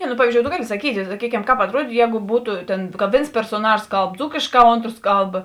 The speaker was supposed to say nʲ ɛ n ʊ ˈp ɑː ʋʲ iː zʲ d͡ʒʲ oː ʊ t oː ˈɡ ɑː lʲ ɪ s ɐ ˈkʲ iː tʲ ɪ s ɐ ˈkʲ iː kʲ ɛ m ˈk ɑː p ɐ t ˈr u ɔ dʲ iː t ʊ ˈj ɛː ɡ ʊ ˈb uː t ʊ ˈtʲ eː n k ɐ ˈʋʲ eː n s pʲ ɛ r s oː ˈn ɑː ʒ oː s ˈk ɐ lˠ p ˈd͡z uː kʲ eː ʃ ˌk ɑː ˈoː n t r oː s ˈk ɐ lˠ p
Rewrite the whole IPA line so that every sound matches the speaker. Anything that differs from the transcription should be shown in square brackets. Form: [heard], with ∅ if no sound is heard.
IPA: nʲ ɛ n ʊ ˈp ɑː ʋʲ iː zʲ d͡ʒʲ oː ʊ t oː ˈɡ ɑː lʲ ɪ s ɐ ˈkʲ iː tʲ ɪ s ɐ ˈkʲ iː kʲ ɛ m ˈk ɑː p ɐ t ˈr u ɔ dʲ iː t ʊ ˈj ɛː ɡ ʊ ˈb uː t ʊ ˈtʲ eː n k ɐ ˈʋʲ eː n s pʲ ɛ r s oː ˈn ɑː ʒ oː s ˈk ɐ lˠ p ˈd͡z uː kʲ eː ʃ ˌk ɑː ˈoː n t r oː s ˈk ɐ lˠ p